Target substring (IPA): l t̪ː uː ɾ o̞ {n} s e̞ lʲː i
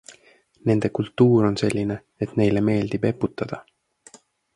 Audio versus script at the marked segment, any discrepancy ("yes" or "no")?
no